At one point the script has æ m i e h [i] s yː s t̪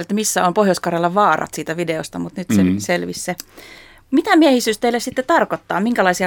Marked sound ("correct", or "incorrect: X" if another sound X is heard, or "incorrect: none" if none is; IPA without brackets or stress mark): correct